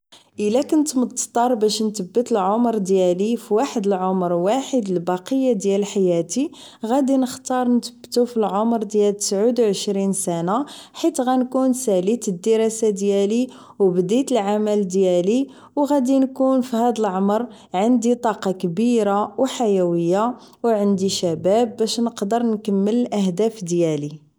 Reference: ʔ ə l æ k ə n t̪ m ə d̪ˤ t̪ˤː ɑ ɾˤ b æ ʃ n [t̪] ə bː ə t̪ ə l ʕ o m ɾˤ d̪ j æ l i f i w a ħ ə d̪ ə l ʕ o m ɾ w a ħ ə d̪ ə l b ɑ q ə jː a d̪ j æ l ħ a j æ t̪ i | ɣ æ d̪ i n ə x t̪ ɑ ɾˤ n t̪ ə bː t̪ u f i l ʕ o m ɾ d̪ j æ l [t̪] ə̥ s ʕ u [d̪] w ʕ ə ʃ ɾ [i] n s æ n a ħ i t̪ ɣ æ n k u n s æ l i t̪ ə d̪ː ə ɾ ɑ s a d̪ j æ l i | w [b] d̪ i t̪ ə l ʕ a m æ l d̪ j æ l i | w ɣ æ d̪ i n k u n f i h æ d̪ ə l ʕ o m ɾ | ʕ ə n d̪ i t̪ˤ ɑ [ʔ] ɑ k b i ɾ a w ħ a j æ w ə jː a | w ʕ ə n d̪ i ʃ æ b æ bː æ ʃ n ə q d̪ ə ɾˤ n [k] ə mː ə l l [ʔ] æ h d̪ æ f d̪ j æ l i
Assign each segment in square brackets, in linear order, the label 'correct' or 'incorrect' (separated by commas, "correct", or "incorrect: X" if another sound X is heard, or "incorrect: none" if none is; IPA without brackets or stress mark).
correct, correct, correct, correct, correct, incorrect: q, correct, correct